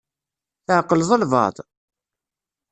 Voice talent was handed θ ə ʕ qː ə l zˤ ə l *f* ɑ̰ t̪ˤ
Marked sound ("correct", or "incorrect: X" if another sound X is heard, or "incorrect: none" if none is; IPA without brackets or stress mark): incorrect: v